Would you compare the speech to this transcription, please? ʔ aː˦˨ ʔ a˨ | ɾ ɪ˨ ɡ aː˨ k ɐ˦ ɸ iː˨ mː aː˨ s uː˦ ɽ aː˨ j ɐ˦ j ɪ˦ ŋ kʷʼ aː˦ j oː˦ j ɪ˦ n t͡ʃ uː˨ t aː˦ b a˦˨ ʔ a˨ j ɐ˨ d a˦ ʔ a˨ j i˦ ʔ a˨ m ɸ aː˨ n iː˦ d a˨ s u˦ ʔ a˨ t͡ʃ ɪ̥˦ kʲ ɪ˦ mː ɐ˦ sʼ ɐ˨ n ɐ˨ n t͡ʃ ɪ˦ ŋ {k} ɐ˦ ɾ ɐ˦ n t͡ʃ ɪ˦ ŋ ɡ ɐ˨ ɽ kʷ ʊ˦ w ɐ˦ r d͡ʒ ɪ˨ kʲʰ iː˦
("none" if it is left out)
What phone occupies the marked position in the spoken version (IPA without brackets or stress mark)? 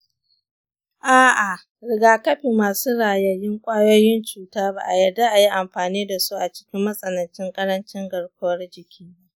kʼ